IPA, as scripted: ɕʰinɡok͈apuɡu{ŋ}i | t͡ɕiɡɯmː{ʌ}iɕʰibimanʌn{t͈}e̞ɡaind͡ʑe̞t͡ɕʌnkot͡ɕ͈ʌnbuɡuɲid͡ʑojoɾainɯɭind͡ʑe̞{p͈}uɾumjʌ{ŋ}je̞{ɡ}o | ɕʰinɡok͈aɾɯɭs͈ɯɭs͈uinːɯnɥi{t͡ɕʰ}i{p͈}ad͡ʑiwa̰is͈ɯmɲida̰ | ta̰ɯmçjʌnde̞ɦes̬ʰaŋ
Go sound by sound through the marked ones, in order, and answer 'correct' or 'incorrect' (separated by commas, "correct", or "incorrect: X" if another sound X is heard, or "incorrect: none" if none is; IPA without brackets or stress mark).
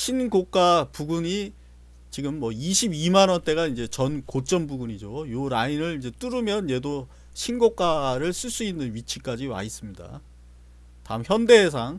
incorrect: ɲ, correct, correct, incorrect: t͈, incorrect: n, incorrect: d, correct, incorrect: k͈